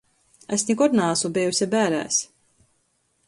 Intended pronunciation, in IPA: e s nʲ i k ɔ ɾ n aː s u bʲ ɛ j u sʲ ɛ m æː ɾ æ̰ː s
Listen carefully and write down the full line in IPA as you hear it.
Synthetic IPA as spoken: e s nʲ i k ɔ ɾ n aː s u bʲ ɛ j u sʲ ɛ b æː ɾ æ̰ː s